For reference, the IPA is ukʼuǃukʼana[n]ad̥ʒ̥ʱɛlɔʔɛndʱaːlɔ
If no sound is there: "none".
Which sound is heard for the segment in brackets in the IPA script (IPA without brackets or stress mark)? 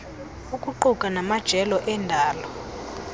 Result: m